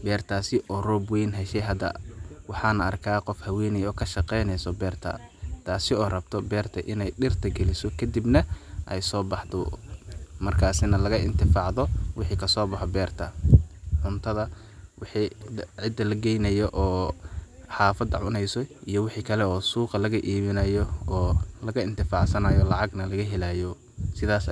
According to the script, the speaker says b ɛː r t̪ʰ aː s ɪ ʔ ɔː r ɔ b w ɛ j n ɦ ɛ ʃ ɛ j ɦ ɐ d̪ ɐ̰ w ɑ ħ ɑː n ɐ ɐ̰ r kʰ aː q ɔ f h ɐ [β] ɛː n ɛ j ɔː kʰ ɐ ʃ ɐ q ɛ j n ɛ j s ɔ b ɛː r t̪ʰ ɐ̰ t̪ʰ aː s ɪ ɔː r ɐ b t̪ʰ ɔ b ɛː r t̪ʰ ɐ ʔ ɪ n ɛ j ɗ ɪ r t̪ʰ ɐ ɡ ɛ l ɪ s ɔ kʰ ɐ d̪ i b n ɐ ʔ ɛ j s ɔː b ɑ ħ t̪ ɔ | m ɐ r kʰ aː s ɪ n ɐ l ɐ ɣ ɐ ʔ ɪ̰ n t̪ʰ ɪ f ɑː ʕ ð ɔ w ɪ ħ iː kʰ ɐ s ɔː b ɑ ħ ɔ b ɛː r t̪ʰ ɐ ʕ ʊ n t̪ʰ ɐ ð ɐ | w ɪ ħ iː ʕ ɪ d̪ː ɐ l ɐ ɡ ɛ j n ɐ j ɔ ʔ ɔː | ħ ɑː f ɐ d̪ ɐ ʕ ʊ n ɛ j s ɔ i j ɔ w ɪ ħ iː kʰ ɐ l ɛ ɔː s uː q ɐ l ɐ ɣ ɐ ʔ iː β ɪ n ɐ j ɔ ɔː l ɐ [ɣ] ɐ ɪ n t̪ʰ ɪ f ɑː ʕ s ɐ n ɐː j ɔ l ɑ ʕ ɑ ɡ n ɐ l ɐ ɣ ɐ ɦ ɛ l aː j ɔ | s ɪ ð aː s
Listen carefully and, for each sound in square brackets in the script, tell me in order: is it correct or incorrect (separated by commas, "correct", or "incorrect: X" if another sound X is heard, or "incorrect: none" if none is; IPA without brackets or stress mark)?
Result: incorrect: w, correct